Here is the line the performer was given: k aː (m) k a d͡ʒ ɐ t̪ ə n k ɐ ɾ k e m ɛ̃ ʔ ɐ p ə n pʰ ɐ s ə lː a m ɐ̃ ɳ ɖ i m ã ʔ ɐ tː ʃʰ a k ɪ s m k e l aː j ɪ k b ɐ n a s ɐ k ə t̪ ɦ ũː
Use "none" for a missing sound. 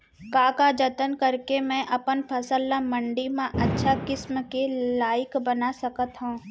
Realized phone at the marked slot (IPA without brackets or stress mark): none